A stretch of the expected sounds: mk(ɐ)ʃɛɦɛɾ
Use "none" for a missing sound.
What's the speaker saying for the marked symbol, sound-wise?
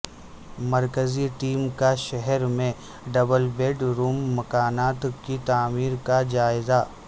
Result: a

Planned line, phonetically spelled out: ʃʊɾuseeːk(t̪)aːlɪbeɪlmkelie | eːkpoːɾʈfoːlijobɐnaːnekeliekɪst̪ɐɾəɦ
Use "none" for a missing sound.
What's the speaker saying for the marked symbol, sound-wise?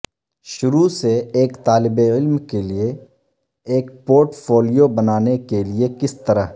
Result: t̪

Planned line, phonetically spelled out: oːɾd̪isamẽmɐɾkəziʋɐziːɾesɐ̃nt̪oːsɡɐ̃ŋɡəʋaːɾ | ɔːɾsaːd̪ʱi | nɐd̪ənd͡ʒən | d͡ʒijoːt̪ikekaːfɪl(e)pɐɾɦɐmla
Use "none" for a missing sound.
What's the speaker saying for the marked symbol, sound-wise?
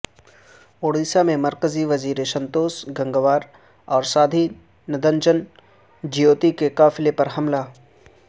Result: e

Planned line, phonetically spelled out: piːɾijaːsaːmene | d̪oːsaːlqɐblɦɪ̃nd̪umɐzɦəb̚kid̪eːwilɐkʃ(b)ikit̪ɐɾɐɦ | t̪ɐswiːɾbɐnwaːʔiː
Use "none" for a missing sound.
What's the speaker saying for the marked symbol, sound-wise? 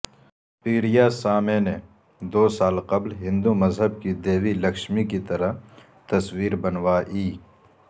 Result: m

